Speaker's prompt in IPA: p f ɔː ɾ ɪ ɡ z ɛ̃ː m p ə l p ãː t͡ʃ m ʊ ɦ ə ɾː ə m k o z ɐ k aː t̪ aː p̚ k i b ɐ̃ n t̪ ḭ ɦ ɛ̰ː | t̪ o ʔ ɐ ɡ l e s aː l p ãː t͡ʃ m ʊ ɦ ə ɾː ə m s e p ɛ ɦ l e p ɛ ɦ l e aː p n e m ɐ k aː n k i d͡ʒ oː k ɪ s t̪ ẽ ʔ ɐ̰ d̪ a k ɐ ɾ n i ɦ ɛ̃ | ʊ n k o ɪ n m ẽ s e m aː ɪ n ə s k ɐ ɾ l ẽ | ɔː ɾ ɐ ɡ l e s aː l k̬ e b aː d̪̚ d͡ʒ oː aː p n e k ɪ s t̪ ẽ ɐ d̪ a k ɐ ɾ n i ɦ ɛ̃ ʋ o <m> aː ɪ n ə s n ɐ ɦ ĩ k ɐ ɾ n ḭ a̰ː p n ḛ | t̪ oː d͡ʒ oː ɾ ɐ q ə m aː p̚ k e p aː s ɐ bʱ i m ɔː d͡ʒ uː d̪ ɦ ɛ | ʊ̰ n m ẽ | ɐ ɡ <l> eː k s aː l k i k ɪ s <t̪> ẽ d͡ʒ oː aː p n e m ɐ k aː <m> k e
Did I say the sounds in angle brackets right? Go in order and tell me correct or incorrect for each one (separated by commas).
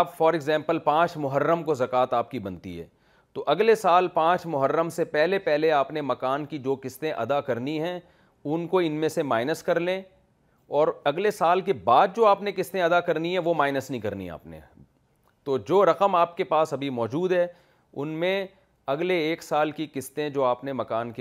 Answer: correct, correct, correct, incorrect